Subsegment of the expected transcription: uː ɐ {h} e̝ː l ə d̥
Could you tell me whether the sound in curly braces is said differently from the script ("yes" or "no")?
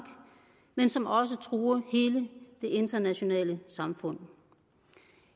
no